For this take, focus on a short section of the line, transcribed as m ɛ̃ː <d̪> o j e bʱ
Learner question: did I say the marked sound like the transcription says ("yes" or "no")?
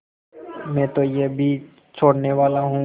no